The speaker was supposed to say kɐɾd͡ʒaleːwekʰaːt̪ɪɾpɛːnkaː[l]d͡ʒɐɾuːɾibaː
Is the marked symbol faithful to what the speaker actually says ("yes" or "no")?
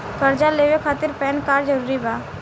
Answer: no